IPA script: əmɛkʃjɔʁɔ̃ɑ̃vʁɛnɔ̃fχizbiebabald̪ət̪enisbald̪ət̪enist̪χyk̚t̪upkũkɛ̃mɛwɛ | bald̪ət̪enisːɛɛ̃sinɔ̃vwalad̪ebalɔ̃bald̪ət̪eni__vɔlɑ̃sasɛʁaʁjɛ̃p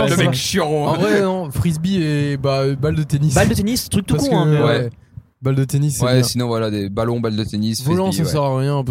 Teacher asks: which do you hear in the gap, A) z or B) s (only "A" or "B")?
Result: B